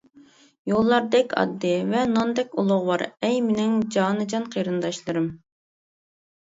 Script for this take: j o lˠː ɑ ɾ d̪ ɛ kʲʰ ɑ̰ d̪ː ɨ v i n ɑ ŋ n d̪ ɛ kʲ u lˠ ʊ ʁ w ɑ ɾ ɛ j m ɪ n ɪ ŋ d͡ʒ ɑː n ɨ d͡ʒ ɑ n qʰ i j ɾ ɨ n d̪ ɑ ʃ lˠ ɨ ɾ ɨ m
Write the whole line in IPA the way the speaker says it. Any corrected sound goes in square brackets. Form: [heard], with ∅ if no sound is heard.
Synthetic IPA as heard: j o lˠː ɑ ɾ d̪ ɛ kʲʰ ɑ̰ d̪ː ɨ v [ɛ] n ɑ [∅] n d̪ ɛ kʲ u lˠ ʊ ʁ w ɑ ɾ ɛ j m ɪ n ɪ ŋ d͡ʒ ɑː n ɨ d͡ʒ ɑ n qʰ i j ɾ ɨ n d̪ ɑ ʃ lˠ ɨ ɾ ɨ m